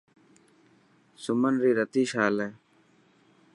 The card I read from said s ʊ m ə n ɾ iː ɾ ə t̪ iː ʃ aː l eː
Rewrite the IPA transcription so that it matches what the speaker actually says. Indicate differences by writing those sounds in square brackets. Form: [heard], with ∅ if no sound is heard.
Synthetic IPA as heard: s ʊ m ə n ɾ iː ɾ ə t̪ iː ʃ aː l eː